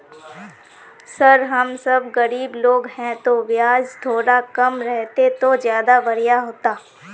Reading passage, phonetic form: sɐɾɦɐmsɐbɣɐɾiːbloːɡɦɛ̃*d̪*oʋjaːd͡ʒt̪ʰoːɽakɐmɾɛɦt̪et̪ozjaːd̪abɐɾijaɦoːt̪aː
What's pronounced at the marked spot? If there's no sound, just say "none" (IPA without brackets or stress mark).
t̪